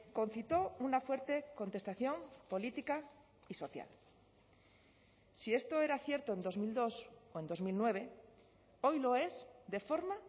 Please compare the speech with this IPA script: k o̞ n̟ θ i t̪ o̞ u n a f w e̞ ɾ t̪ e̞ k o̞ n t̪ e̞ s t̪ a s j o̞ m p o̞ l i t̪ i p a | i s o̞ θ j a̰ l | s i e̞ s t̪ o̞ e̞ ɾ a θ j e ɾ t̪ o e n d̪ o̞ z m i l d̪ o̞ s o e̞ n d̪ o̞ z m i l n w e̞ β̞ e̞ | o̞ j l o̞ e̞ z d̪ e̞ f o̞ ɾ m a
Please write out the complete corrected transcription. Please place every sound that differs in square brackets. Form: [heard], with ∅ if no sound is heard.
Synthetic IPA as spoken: k o̞ n̟ θ i t̪ o̞ u n a f w e̞ ɾ t̪ e̞ k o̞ n t̪ e̞ s t̪ a [θ] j o̞ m p o̞ l i t̪ i [k] a | i s o̞ θ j a̰ l | s i e̞ s t̪ o̞ e̞ ɾ a θ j e ɾ t̪ o e n d̪ o̞ z m i l d̪ o̞ s o e̞ n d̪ o̞ z m i l n w e̞ β̞ e̞ | o̞ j l o̞ e̞ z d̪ e̞ f o̞ ɾ m a